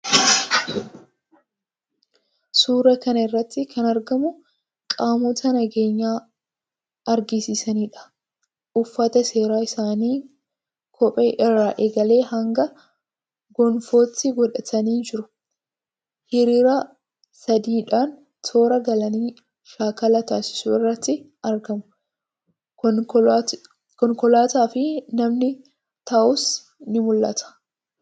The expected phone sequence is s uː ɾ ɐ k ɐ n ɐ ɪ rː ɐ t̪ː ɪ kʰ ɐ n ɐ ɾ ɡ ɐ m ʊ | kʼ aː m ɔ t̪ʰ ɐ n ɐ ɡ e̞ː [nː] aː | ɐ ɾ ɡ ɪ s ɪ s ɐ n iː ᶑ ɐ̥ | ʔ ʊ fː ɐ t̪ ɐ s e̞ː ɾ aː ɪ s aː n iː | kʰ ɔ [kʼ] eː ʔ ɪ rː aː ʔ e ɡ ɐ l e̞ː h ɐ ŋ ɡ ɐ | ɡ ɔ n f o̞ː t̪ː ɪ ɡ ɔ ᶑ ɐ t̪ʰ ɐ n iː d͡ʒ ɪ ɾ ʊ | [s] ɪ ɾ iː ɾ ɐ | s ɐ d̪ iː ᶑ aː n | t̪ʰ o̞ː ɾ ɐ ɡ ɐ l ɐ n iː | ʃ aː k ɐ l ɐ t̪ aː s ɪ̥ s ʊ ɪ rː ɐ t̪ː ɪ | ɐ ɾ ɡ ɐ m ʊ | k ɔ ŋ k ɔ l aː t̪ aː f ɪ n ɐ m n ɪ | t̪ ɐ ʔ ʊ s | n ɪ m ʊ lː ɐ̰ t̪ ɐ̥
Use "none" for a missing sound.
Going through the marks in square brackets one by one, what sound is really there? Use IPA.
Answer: ɲː, pʼ, h

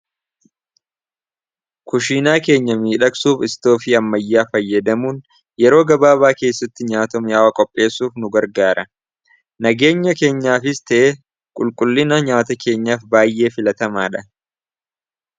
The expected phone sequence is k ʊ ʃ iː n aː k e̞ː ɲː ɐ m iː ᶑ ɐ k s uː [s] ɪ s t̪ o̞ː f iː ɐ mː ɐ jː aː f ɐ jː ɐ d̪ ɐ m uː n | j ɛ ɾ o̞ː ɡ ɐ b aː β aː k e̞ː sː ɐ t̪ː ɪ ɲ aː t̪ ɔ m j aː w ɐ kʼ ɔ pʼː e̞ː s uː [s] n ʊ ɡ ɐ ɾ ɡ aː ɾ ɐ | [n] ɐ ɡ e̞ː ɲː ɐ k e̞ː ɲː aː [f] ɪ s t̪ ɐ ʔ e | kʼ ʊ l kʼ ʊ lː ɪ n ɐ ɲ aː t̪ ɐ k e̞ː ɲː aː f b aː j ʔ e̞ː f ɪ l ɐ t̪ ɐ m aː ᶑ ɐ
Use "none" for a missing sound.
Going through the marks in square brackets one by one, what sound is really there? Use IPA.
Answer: f, f, n, f

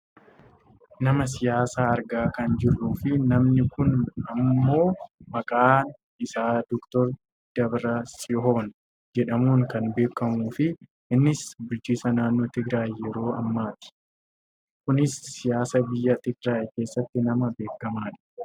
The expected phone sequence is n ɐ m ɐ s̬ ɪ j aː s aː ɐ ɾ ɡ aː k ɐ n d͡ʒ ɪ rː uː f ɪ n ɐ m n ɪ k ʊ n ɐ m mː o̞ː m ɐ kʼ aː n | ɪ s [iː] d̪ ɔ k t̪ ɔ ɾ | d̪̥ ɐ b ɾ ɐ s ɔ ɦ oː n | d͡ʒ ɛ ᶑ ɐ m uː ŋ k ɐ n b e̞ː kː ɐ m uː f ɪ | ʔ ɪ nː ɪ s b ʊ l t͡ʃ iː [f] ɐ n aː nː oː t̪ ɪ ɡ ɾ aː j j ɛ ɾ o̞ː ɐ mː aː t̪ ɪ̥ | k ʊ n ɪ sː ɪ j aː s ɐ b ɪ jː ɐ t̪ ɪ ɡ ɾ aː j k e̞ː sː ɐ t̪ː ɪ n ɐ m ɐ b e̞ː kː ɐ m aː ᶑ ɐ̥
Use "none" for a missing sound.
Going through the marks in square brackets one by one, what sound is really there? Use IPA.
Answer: aː, s

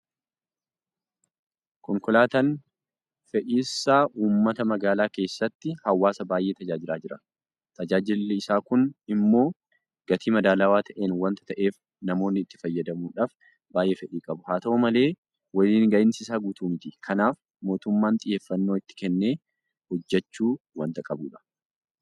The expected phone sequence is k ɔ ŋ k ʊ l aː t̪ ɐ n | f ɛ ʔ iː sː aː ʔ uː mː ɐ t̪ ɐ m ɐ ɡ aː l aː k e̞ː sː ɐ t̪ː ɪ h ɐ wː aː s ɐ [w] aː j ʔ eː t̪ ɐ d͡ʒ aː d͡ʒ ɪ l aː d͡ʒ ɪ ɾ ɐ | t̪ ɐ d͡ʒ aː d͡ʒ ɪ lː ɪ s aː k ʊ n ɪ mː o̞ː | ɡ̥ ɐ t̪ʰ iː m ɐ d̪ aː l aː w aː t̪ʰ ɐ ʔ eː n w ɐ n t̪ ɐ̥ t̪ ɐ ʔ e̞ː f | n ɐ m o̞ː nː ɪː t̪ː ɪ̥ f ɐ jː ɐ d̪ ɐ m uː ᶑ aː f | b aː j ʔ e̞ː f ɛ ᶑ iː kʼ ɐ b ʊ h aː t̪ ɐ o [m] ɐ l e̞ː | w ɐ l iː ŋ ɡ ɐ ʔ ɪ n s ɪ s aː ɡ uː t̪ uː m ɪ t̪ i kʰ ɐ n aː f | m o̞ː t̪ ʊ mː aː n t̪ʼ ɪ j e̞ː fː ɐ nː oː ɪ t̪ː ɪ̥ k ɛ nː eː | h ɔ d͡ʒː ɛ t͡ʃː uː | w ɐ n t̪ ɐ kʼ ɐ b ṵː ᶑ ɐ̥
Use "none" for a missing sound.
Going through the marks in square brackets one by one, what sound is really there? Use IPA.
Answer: b, m

